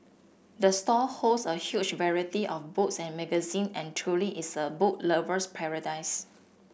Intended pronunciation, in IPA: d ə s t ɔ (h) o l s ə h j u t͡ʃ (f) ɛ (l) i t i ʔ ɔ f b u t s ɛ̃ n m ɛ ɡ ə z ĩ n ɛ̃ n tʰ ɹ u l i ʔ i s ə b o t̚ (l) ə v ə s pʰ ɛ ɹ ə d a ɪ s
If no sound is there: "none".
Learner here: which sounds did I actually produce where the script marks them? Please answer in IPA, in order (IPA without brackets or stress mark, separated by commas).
h, v, ɹ, l